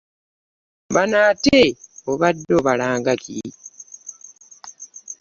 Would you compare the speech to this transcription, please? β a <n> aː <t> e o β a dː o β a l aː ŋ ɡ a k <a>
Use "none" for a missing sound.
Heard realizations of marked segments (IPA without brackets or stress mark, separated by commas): n, t, i